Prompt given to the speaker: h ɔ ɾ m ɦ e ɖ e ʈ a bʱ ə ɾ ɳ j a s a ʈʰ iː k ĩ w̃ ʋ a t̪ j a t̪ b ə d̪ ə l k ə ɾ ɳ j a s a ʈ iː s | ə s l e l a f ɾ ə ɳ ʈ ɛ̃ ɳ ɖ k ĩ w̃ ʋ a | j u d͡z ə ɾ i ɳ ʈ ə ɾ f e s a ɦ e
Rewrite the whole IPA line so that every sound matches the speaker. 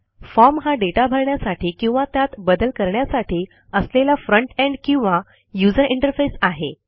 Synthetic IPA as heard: f ɔ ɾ m ɦ a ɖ e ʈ a bʱ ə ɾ ɳ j a s a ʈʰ iː k ĩ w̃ ʋ a t̪ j a t̪ b ə d̪ ə l k ə ɾ ɳ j a s a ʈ iː | ə s l e l a f ɾ ə ɳ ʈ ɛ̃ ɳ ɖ k ĩ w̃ ʋ a | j u d͡z ə ɾ i ɳ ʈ ə ɾ f e s a ɦ e